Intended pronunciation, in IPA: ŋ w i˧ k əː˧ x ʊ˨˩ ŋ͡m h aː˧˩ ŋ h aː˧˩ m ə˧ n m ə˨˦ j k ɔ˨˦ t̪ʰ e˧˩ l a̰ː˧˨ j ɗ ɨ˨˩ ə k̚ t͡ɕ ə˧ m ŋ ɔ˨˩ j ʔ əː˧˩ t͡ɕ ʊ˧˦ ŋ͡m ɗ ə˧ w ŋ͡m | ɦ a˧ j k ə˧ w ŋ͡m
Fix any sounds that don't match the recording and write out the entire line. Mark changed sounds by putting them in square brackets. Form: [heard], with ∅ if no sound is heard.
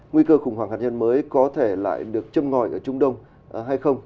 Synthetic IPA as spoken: ŋ w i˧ k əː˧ x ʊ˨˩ ŋ͡m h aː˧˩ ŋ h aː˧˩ [ɲ] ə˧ n m [əː˨˦] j k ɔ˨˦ t̪ʰ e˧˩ l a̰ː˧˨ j ɗ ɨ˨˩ ə k̚ t͡ɕ ə˧ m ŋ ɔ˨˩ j ʔ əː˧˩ t͡ɕ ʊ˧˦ ŋ͡m ɗ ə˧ w ŋ͡m | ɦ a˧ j [x] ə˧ w ŋ͡m